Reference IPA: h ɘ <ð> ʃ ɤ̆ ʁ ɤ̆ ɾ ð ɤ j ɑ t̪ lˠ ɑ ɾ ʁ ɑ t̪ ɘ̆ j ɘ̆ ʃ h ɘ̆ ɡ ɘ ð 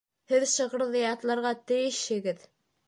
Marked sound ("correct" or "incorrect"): correct